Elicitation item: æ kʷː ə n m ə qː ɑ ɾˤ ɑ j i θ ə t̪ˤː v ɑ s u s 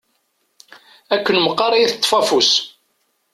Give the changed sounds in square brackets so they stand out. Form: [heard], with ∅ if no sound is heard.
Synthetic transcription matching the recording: æ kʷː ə n m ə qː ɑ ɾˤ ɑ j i θ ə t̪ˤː [f] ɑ [f] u s